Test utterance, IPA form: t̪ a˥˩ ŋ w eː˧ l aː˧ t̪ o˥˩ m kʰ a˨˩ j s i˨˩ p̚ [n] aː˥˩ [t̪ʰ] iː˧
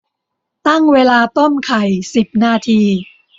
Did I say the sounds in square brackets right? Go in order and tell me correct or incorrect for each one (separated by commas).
correct, correct